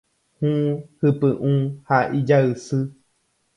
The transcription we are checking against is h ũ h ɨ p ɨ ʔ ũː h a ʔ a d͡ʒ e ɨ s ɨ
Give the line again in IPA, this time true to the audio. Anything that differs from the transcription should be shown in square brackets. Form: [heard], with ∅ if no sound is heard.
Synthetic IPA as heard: h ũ h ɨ p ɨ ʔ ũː h a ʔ [i] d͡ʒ [a] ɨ s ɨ